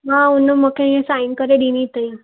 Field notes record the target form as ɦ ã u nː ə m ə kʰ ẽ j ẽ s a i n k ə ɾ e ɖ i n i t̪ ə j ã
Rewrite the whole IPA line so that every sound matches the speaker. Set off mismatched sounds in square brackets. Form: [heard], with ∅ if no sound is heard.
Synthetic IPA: ɦ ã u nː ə m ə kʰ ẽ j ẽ s a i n k ə ɾ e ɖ i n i t̪ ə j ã